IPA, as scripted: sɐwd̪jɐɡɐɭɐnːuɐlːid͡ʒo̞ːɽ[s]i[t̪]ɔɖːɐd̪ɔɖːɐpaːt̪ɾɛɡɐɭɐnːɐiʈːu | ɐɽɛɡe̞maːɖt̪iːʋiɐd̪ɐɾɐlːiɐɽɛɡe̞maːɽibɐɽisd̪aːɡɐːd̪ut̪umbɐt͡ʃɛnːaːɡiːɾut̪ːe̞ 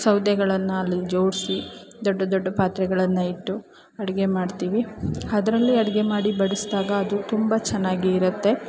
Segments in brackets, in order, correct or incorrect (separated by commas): correct, incorrect